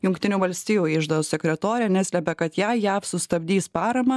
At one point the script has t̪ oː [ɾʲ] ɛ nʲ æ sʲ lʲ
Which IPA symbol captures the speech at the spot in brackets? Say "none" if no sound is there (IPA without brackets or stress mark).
ɾʲ